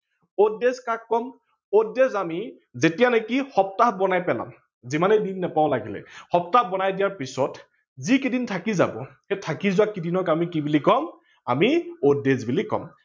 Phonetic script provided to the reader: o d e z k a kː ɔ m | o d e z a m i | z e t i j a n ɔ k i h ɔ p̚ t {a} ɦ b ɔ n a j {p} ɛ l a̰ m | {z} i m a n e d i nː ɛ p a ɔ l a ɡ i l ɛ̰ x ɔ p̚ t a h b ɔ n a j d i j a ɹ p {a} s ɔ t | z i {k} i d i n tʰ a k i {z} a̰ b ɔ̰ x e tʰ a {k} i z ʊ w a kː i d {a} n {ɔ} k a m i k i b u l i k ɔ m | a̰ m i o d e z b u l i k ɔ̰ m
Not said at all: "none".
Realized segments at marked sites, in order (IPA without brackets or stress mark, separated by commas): a, p, z, i, k, z, k, i, ɔ